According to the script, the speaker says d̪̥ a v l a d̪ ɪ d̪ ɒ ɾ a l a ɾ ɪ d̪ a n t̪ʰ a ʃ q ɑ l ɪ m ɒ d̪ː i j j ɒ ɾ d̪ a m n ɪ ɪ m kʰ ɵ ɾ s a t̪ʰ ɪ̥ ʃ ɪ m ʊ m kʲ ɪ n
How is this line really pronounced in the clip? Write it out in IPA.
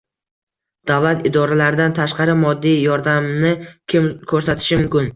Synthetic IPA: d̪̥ a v l a t̪ ɪ d̪ ɒ ɾ a l a ɾ ɪ d̪ a n t̪ʰ a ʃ q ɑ ɾ ɪ m ɒ d̪ː i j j ɒ ɾ d̪ a m n ɪ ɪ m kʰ ɵ ɾ s a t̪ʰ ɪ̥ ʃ ɪ m ʊ m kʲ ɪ n